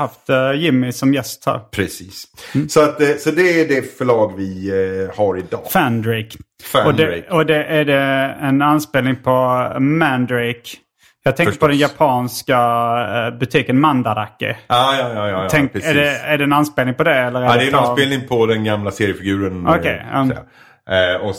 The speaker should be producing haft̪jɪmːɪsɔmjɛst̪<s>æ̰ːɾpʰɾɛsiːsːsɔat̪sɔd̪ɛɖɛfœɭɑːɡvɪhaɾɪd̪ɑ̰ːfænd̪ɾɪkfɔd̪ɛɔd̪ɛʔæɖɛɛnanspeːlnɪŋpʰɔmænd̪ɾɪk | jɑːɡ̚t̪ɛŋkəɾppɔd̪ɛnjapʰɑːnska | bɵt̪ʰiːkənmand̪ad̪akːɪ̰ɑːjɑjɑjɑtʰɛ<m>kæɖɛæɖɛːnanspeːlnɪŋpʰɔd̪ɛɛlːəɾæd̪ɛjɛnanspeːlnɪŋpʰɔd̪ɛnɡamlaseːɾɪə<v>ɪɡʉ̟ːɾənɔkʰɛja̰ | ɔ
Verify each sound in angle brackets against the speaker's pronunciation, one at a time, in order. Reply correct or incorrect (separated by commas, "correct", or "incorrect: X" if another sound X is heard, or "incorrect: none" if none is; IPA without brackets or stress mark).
incorrect: h, incorrect: ŋ, incorrect: f